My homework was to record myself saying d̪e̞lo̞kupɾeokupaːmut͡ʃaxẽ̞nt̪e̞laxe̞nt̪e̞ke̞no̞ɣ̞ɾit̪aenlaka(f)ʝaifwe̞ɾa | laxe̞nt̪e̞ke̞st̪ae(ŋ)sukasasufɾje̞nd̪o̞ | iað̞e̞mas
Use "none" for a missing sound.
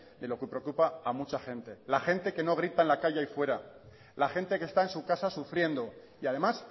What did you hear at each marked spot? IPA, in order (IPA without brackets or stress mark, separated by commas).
none, n